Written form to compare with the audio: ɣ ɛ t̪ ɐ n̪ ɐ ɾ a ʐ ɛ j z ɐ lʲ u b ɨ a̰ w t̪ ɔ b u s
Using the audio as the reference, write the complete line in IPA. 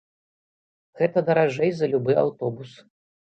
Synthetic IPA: ɣ ɛ t̪ ɐ d̪ ɐ ɾ a ʐ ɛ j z ɐ lʲ u b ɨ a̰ w t̪ ɔ b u s